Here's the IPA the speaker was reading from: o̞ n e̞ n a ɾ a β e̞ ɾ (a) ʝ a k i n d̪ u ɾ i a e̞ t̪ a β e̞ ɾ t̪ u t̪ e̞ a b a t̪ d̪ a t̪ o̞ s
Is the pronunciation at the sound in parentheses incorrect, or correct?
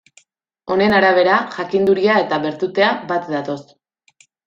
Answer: correct